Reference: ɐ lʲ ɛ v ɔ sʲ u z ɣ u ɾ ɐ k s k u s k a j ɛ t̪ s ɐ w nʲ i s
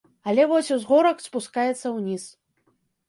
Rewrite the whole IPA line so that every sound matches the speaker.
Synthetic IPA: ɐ lʲ ɛ v ɔ sʲ u z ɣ ɔ ɾ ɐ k s p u s k a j ɛ t̪ sː ɐ w nʲ i s